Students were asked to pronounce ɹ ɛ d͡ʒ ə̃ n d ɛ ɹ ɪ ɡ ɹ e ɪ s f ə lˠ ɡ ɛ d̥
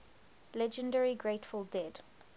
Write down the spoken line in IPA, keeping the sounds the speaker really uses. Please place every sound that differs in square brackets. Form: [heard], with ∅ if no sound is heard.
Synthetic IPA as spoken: [l] ɛ d͡ʒ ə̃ n d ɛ ɹ [i] ɡ ɹ e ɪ [t] f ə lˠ [d] ɛ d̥